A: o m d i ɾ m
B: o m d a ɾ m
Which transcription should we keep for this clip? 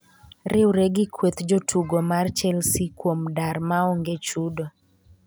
B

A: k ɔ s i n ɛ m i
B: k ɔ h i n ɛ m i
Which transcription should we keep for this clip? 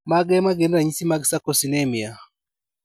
A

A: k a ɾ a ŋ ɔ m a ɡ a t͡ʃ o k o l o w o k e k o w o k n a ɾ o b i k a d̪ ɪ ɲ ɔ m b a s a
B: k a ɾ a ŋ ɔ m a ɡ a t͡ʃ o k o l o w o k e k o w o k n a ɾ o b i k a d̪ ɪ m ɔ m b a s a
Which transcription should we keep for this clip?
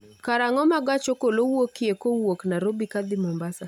B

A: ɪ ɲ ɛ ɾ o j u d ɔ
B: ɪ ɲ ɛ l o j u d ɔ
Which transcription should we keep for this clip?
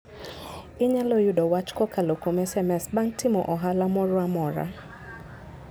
B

